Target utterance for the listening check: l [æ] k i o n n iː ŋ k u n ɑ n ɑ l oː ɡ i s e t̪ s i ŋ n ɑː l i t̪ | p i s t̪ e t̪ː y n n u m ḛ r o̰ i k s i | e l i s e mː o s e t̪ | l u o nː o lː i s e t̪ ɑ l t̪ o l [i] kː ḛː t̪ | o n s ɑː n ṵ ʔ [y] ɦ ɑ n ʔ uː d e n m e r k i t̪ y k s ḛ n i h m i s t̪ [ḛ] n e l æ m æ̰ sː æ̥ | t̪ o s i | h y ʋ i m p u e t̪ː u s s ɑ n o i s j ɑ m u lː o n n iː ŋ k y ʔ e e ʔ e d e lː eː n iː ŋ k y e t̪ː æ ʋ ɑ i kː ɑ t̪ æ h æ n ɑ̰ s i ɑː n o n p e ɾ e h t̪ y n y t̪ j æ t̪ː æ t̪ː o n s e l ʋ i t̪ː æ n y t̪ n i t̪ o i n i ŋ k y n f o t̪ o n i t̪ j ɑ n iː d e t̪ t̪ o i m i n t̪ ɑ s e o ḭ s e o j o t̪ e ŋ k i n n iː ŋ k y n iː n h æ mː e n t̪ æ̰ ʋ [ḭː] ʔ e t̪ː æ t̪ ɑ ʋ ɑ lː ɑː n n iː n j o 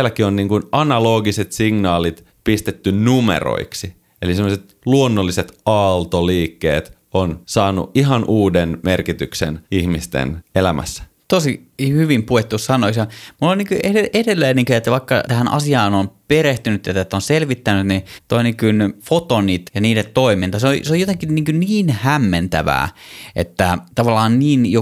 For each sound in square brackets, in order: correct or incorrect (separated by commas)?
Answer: correct, incorrect, incorrect, correct, incorrect